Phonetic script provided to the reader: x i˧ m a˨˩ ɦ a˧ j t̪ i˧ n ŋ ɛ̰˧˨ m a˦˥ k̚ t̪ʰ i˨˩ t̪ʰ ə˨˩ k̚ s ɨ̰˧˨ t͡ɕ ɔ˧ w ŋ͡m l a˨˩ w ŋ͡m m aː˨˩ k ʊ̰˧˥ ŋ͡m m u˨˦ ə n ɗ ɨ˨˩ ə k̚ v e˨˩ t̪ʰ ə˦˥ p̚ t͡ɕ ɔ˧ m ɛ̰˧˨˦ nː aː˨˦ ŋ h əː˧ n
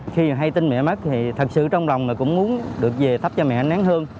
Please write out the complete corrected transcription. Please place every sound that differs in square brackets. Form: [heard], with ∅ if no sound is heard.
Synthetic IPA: x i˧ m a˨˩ ɦ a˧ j t̪ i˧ n [m] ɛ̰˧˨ m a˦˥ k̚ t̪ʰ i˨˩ t̪ʰ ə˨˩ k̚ s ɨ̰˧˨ t͡ɕ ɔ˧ w ŋ͡m l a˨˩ w ŋ͡m m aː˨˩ k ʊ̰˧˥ ŋ͡m m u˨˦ ə n ɗ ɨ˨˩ ə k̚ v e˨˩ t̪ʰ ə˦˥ p̚ t͡ɕ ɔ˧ m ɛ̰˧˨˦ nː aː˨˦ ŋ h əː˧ n